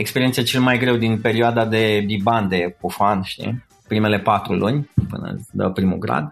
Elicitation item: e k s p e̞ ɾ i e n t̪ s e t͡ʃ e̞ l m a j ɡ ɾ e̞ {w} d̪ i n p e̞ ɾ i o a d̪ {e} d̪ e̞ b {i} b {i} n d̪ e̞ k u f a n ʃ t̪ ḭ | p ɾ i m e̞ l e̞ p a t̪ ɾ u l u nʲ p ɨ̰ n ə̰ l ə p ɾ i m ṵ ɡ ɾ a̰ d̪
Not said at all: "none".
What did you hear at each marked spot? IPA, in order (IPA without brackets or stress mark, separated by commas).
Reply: w, a, i, a